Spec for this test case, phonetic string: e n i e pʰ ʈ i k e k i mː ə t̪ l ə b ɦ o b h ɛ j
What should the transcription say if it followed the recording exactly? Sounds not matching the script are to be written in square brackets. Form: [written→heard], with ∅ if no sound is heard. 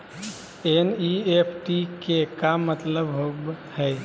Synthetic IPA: e n i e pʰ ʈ i k e k [i→a] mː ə t̪ l ə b ɦ o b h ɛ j

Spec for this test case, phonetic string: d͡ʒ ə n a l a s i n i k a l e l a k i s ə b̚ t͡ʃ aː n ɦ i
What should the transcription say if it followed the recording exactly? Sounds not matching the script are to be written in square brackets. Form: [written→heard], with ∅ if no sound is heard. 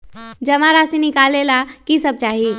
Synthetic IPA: d͡ʒ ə [n→m] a [l→ɾ] a s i n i k a l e l a k i s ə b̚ t͡ʃ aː [n→∅] ɦ i

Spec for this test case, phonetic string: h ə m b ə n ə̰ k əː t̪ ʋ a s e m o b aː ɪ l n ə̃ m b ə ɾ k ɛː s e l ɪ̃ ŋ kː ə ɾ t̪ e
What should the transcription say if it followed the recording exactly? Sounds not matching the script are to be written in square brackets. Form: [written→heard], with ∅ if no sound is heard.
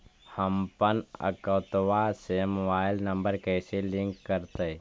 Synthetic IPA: h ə m [b→p] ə n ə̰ k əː t̪ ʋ a s e m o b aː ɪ l n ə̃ m b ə ɾ k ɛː s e l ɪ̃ ŋ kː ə ɾ t̪ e

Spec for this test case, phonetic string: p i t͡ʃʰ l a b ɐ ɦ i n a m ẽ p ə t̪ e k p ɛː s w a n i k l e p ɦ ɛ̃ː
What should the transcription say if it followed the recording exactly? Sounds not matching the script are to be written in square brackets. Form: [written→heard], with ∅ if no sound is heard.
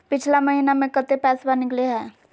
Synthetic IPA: p [i→ɪ] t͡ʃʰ l a [b→m] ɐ ɦ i n a m ẽ [p→k] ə t̪ e [k→∅] p ɛː s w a n [i→ɪ] k l e [p→∅] ɦ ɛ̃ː

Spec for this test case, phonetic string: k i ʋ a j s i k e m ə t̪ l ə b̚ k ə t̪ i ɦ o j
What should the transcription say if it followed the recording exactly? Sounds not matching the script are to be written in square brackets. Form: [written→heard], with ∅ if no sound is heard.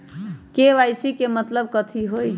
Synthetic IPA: k [i→e] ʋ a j s i k e m ə t̪ l ə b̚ k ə [t̪→t̪ʰ] i ɦ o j

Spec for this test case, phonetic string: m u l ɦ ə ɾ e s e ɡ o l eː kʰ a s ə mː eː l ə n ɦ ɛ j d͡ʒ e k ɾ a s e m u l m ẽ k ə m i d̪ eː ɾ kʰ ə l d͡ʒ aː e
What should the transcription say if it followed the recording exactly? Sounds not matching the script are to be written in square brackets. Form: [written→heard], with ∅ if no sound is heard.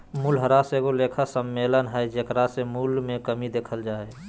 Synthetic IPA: m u l ɦ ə ɾ [e→a] s e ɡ o l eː kʰ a s ə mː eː l ə n ɦ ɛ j d͡ʒ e k ɾ a s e m u l m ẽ k ə m i d̪ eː [ɾ→∅] kʰ ə l d͡ʒ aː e

